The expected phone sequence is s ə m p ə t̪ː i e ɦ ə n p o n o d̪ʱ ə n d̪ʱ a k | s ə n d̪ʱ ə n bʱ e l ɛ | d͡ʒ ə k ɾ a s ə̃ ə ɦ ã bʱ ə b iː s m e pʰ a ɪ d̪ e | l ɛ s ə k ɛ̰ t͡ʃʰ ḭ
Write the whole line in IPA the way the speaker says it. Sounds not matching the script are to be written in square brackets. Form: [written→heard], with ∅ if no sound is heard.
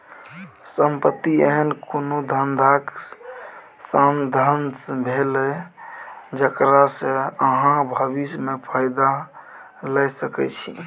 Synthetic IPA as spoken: s ə m p ə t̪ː i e ɦ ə n [p→k] o n o d̪ʱ ə n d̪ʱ a k | s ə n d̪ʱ ə n bʱ e l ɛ | d͡ʒ ə k ɾ a s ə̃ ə ɦ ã bʱ ə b [iː→i] s m e pʰ a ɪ d̪ [e→a] | l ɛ s ə k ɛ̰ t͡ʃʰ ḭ